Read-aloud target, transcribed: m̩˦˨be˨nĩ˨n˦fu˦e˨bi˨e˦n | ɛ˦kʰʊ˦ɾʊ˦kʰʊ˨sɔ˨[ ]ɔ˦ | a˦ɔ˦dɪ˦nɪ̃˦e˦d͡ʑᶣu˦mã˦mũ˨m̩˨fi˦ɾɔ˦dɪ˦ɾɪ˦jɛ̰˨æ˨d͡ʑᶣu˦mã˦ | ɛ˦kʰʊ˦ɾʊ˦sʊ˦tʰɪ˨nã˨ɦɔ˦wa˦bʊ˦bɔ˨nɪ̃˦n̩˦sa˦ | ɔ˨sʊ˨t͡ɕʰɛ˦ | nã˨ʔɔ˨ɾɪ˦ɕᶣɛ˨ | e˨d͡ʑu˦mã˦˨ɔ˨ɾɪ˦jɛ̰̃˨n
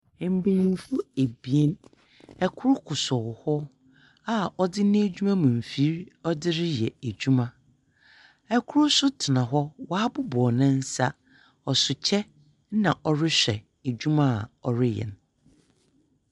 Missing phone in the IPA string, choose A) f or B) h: B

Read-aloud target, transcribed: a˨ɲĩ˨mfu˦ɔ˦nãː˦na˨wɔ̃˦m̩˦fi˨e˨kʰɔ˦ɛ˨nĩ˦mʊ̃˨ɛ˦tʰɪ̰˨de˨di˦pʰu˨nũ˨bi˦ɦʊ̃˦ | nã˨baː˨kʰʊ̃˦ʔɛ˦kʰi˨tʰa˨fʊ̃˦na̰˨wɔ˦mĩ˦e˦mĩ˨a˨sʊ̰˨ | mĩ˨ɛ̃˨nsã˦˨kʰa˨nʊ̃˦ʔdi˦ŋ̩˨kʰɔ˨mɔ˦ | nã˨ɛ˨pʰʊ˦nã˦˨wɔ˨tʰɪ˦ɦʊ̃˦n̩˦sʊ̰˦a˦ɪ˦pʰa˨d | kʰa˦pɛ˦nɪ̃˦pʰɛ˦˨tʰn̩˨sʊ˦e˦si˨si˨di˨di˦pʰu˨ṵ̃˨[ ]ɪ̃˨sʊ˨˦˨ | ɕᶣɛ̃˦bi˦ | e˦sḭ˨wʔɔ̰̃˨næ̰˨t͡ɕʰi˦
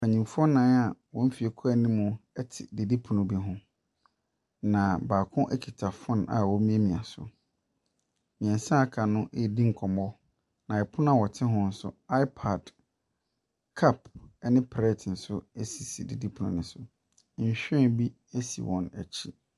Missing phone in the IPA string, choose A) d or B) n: B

